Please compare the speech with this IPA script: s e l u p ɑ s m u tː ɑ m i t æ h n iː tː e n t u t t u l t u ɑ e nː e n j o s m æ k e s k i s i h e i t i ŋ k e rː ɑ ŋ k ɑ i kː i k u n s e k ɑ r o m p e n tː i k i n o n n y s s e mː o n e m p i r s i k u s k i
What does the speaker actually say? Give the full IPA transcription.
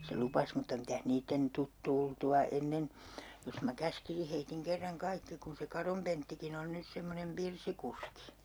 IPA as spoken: s e l u p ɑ s m u tː ɑ m i t æ h n iː tː e n t u t t u l t u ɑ e nː e n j o s m æ k æ s k i s i h e i t i ŋ k e rː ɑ ŋ k ɑ i kː i k u n s e k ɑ r o m p e n tː i k i n o n n y s s e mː o n e m p i r s i k u s k i